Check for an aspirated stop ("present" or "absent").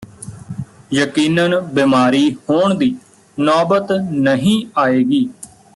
absent